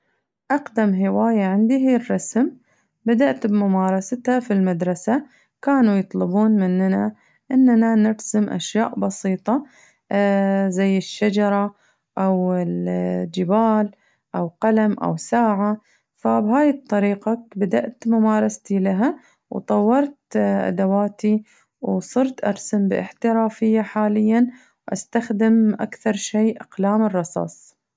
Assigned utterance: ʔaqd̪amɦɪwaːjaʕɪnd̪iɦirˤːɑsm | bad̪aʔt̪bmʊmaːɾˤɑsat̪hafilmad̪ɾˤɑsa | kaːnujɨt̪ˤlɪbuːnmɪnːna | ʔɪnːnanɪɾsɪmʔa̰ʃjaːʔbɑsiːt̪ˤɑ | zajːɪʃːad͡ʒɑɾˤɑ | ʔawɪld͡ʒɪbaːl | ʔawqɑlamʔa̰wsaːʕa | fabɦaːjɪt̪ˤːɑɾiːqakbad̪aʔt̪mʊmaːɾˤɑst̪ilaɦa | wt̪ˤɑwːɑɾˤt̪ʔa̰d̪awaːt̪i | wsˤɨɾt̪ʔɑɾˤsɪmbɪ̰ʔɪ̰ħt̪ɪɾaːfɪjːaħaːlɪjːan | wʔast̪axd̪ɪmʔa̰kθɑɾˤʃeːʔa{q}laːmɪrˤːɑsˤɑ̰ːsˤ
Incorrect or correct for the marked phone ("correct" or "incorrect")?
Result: correct